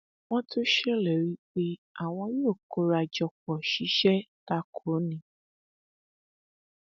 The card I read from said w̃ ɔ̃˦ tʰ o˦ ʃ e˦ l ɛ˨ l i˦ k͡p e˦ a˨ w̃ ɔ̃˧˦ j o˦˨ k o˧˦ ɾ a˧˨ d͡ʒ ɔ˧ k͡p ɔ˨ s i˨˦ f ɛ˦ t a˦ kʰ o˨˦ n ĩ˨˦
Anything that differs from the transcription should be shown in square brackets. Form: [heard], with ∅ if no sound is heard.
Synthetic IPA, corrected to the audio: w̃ ɔ̃˦ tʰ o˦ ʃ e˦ l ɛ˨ [ɾ] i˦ k͡p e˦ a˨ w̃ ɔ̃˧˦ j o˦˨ k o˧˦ ɾ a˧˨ d͡ʒ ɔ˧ k͡p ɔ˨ [ʃ] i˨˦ [ʃ] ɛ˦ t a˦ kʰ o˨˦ n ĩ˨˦

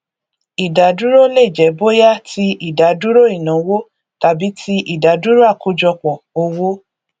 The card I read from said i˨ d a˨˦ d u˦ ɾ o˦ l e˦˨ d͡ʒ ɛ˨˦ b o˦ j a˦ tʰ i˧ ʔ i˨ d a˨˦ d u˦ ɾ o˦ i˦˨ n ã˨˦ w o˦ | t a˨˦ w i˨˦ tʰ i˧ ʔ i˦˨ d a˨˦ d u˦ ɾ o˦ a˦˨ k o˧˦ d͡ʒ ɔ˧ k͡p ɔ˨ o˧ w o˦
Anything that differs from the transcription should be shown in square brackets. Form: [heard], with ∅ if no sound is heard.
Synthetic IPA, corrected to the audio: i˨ d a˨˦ d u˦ ɾ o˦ l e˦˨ d͡ʒ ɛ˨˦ b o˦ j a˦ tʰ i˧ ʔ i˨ d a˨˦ d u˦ ɾ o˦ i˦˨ n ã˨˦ w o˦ | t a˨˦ [b] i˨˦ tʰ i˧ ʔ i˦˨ d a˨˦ d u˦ ɾ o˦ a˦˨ k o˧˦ d͡ʒ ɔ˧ k͡p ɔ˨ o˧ w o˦

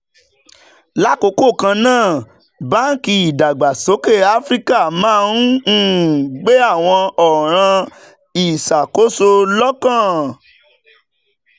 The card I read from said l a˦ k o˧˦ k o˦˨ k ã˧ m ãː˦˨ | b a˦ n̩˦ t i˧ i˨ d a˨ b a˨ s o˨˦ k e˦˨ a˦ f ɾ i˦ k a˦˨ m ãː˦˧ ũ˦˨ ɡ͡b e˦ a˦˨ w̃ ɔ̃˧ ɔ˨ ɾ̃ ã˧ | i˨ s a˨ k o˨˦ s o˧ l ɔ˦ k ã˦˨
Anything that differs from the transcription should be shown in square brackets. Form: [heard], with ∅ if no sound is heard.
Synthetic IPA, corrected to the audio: l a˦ k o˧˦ k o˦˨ k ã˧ [n] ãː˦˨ | b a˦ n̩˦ [k] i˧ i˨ d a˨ [ɡ͡b] a˨ s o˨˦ k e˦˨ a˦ f ɾ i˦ k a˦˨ m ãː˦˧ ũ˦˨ ɡ͡b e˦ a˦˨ w̃ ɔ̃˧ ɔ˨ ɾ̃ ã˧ | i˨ s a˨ k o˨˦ s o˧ l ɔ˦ k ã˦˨

